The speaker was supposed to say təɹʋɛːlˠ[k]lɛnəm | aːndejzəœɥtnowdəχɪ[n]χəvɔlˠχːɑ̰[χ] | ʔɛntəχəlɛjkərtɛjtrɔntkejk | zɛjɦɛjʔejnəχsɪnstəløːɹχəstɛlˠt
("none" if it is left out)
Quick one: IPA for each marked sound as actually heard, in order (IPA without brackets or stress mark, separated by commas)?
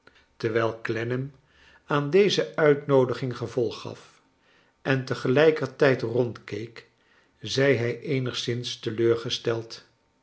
k, ŋ, f